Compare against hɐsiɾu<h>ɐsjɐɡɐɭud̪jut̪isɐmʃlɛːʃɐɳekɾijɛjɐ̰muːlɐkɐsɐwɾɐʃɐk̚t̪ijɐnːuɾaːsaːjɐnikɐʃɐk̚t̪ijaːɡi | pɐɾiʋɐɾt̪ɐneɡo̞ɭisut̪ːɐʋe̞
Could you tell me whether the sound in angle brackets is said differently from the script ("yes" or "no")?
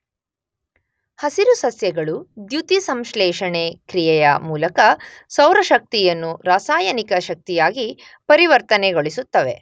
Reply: yes